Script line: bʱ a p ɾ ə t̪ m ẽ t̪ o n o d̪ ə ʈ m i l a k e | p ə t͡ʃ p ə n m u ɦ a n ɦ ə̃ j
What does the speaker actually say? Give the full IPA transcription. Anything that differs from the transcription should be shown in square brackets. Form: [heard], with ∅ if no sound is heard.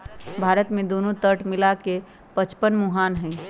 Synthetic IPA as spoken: bʱ a [∅] ɾ ə t̪ m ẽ [d̪] o n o [t̪] ə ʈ m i l a k e | p ə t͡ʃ p ə n m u ɦ a n ɦ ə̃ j